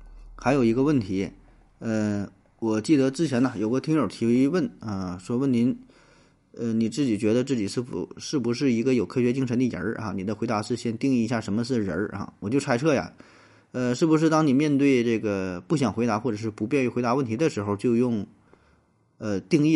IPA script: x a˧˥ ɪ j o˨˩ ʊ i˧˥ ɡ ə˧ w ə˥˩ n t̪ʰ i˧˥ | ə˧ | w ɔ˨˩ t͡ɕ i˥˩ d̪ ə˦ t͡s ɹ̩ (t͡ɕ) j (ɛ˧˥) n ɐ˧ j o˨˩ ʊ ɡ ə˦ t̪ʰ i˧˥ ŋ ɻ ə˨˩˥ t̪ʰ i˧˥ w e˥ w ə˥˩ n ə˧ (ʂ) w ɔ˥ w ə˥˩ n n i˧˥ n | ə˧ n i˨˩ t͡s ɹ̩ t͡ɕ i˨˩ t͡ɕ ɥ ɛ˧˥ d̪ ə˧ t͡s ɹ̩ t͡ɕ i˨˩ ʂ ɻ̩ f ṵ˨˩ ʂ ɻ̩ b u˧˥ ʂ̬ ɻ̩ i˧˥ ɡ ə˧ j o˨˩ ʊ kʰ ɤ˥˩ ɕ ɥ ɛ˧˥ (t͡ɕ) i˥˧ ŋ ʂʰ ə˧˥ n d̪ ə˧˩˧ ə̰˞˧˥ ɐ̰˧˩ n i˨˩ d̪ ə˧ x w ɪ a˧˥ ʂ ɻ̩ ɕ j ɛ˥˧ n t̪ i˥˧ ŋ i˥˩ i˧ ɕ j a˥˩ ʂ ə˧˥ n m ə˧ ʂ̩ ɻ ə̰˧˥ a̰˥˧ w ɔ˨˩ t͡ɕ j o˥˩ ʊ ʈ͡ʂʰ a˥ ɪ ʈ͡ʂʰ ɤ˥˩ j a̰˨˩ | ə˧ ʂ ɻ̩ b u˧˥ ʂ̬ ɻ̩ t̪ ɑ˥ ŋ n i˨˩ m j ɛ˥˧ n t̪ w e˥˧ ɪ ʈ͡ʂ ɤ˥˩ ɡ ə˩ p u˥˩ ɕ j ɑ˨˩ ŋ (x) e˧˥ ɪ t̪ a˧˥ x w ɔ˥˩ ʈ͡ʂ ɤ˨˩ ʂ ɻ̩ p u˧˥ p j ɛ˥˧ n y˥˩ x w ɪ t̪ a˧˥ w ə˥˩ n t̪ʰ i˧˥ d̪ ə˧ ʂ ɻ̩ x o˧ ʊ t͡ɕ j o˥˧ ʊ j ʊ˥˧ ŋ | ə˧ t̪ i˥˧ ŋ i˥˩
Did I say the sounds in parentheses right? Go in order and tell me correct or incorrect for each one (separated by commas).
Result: incorrect, correct, correct, correct, correct